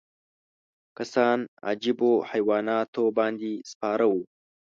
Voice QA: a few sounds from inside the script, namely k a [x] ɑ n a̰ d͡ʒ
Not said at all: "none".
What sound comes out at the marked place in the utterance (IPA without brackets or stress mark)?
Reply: s